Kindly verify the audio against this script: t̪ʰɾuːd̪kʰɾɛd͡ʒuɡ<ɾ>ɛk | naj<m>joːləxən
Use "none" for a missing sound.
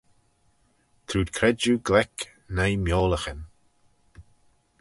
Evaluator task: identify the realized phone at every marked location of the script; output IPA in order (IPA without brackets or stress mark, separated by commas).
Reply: l, m